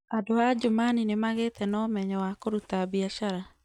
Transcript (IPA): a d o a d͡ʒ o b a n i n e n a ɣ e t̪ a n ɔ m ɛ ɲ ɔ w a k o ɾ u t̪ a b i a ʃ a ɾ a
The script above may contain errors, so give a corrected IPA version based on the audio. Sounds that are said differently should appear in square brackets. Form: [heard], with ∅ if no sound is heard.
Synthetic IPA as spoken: a d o a d͡ʒ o [m] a n i n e [m] a ɣ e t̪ [ɛ] n ɔ m ɛ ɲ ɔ w a k o ɾ u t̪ a b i a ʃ a ɾ a